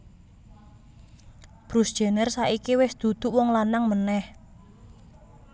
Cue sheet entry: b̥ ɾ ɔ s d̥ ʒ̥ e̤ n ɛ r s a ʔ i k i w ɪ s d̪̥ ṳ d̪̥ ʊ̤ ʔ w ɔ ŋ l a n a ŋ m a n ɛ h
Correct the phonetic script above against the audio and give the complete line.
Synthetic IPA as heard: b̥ ɾ u s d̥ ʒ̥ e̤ n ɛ r s a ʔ i k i w ɪ s d̪̥ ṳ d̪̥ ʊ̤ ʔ w ɔ ŋ l a n a ŋ m ə n ɛ h